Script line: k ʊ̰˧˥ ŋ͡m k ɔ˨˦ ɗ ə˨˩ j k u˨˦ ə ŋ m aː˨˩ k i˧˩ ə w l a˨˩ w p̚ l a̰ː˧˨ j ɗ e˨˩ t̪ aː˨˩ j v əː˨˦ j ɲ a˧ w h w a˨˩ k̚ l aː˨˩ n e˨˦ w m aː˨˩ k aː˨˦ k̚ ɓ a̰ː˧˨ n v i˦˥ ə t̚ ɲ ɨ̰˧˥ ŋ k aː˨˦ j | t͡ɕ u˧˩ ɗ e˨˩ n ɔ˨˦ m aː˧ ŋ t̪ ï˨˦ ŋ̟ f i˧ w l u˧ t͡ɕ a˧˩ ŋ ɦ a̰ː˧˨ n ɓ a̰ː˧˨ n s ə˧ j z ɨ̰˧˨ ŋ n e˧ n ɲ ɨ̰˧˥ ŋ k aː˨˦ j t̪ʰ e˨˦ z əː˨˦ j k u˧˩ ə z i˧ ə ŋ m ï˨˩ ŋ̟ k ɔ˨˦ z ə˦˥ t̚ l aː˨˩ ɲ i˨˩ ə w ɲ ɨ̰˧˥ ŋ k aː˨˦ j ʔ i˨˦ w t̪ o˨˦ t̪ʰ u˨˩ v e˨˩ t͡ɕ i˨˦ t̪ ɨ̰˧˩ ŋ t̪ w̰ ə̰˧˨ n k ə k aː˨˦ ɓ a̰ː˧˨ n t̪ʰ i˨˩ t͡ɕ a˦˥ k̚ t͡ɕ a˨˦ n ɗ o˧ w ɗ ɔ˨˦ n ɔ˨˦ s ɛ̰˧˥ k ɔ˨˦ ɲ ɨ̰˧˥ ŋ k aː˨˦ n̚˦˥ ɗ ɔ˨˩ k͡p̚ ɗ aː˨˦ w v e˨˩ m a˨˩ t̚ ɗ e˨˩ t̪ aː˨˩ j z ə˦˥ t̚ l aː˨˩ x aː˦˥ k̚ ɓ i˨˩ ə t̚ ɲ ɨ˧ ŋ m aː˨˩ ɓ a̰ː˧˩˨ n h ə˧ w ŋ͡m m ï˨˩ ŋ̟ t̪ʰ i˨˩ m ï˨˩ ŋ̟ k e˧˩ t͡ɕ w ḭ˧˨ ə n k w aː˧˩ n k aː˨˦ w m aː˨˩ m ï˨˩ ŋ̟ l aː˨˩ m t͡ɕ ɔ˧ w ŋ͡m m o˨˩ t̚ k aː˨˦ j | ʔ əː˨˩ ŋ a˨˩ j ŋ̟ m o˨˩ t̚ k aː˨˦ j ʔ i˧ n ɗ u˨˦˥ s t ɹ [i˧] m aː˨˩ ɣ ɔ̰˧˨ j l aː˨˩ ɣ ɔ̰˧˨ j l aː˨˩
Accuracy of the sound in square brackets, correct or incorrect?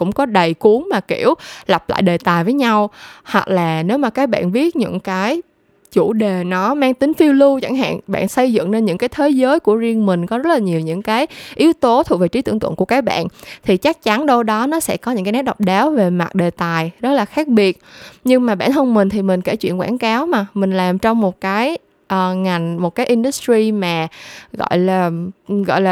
correct